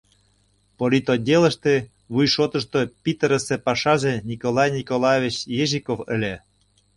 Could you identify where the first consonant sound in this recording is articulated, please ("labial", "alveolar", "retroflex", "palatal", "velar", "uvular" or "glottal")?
labial